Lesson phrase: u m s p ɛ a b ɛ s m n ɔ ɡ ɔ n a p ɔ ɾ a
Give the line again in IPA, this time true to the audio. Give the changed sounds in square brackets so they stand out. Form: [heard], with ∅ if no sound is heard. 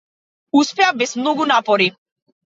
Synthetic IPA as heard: u [∅] s p ɛ a b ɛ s m n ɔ ɡ [u] n a p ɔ ɾ [i]